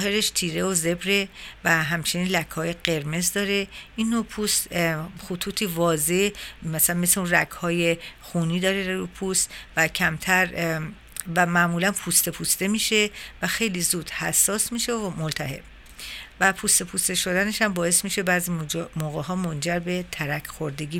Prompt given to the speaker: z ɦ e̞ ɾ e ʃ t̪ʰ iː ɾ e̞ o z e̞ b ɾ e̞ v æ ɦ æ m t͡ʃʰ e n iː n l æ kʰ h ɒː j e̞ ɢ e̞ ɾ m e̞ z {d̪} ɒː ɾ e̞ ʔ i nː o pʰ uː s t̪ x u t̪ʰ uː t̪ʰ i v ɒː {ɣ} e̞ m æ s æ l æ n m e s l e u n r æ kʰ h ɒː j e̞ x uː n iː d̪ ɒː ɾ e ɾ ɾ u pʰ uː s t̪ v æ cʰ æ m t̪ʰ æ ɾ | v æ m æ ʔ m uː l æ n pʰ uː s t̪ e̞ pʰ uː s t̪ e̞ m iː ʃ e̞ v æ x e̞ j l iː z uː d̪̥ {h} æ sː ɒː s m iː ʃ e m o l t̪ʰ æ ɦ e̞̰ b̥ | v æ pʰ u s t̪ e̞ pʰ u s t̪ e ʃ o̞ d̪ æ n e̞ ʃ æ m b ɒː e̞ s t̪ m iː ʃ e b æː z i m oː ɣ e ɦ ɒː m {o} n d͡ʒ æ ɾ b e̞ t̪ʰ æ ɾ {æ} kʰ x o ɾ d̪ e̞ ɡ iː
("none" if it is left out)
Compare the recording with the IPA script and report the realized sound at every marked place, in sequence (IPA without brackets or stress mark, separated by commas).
d̪, z, h, o, æ